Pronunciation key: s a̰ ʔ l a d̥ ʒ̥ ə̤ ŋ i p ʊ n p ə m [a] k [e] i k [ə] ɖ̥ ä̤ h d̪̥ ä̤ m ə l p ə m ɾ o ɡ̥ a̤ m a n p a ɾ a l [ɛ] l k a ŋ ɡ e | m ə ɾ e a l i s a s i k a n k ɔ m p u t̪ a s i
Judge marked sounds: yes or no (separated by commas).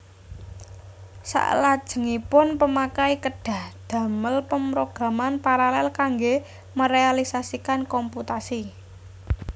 yes, no, yes, yes